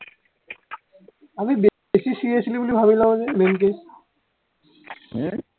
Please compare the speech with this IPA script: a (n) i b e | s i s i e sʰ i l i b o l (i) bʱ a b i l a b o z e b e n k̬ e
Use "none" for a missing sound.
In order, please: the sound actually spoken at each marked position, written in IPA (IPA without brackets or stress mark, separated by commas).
m, i